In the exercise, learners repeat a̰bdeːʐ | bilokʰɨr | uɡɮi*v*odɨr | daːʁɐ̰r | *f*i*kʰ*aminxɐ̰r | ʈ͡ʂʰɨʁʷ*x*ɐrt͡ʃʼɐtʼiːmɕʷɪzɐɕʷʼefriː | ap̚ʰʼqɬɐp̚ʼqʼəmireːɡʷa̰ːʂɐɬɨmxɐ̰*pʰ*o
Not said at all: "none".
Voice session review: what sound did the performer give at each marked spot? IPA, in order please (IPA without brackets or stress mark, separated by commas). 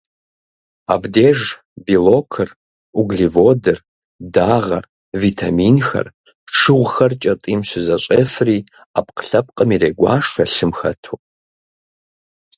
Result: v, v, tʰ, x, tʰ